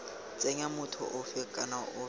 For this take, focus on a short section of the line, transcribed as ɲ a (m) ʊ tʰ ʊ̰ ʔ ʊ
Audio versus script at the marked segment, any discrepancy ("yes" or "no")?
no